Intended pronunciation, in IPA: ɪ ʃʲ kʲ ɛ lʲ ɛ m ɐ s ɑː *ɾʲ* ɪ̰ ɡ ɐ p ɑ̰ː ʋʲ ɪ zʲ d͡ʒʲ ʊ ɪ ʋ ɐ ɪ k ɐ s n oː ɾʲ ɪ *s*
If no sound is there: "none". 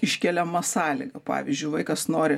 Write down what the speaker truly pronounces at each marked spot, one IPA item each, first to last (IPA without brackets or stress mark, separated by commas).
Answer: lʲ, none